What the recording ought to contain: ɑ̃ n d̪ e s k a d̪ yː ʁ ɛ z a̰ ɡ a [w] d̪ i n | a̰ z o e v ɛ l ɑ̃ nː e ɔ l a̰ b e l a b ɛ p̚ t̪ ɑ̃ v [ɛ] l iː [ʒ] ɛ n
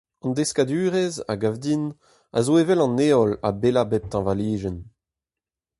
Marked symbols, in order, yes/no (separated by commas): no, no, yes